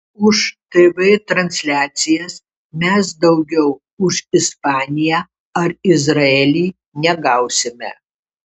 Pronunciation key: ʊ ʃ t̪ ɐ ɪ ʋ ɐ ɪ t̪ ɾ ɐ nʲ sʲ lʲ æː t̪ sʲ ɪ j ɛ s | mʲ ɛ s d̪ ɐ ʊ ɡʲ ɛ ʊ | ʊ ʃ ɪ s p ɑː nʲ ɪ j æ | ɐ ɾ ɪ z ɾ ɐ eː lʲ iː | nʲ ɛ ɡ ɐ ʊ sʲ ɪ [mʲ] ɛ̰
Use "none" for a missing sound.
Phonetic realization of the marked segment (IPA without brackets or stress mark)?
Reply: mʲ